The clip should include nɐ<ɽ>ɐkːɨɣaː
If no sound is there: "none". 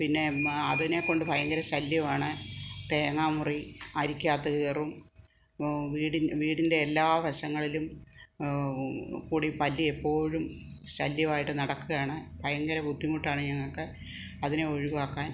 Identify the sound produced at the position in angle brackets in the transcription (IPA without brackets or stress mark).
ɽ